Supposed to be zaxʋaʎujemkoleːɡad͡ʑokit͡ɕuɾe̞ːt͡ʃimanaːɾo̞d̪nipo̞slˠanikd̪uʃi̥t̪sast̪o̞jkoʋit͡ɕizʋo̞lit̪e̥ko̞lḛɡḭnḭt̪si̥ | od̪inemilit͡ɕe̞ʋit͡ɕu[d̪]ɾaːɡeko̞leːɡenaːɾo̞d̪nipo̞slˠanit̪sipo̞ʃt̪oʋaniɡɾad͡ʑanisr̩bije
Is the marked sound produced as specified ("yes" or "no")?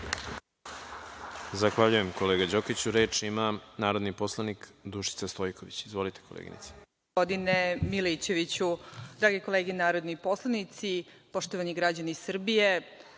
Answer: yes